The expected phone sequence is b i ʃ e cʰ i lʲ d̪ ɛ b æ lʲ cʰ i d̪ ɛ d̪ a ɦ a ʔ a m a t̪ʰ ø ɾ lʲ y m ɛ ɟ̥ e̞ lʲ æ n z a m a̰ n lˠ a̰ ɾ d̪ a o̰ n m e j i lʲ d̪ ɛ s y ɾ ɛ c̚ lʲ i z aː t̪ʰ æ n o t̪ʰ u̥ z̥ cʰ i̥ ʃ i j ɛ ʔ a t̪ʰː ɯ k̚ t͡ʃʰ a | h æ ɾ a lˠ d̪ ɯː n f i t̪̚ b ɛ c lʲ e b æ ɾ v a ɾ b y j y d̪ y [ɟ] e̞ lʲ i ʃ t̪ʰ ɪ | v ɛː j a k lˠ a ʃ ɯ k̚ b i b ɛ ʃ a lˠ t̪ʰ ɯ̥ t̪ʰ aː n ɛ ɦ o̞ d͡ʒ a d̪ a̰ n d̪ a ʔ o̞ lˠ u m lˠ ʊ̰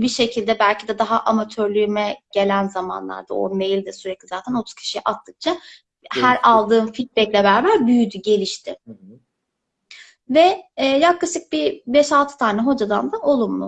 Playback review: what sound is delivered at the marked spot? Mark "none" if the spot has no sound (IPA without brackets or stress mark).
ɟ